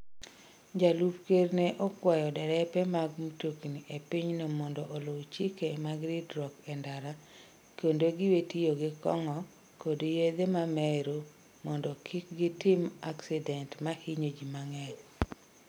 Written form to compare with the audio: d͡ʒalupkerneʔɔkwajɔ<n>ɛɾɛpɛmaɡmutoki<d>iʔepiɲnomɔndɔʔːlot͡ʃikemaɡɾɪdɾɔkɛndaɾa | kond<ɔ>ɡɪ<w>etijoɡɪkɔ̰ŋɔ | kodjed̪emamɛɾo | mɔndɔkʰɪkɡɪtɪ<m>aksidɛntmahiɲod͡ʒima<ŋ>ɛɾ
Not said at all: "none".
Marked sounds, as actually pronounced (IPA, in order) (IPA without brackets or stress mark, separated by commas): d, n, o, w, m, ŋ